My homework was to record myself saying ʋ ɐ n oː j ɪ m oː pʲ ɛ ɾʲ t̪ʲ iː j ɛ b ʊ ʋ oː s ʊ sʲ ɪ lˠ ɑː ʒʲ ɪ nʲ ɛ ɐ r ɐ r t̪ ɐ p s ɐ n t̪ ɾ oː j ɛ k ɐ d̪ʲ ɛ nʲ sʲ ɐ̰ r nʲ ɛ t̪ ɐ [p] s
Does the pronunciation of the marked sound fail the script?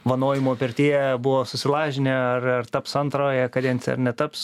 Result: no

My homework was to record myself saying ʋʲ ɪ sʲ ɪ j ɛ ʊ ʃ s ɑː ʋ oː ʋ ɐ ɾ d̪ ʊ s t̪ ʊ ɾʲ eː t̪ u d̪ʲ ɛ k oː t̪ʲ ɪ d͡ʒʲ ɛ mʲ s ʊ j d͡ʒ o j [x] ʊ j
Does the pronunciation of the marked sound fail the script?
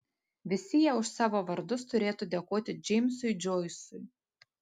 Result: yes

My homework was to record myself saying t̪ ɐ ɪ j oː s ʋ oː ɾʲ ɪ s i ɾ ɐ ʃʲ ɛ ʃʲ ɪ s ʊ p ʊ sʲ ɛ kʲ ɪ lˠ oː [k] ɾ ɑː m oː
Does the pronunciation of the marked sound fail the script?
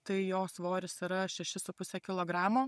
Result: yes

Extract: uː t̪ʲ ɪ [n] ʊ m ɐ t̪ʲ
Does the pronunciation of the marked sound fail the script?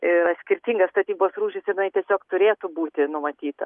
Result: no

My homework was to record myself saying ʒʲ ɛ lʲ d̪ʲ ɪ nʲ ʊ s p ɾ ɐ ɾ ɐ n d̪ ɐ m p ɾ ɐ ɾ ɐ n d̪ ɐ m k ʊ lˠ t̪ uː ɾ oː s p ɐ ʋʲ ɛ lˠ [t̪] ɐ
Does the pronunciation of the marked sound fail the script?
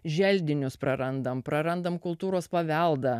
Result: yes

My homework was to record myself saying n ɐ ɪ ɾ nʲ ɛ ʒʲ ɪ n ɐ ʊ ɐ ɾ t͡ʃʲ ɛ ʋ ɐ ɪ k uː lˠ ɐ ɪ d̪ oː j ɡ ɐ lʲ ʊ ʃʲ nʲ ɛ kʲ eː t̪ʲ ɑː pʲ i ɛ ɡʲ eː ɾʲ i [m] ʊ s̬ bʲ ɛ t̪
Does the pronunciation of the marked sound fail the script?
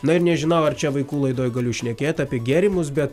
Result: no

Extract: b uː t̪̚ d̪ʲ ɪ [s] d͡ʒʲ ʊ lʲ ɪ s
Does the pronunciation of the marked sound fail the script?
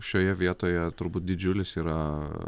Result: yes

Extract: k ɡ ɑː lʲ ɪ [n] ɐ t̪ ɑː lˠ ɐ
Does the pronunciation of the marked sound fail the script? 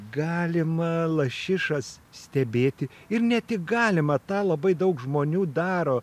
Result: yes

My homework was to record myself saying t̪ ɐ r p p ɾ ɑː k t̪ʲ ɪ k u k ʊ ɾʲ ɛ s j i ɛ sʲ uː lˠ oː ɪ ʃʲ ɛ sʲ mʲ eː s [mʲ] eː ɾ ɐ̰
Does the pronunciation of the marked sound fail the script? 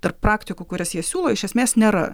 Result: yes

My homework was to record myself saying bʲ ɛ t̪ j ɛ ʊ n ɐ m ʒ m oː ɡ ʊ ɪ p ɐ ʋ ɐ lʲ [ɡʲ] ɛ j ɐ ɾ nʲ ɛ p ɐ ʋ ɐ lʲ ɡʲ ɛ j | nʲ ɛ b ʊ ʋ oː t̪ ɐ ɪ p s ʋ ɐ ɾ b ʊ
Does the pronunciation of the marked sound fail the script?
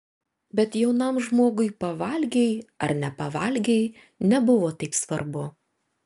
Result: no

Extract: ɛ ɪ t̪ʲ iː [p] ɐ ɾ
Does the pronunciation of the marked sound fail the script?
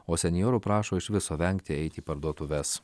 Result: no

